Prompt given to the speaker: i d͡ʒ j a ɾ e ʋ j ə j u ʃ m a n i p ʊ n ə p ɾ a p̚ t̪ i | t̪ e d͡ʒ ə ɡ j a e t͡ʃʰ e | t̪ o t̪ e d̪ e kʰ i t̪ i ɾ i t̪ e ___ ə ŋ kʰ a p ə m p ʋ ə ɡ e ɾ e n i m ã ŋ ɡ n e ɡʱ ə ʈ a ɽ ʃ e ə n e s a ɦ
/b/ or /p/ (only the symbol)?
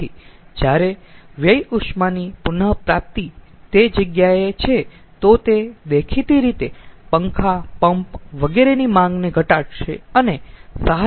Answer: p